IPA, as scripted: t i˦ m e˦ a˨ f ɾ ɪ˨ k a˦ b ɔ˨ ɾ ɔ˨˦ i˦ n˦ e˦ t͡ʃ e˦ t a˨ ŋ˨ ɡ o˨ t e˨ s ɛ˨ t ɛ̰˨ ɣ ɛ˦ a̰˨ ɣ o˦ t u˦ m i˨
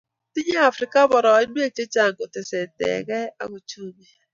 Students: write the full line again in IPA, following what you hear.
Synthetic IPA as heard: t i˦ ɲ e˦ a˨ f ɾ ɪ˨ k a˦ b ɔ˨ ɾ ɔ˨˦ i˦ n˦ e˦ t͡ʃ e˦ t͡ʃ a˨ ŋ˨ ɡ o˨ t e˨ s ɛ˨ t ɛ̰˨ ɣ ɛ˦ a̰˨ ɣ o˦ t͡ʃ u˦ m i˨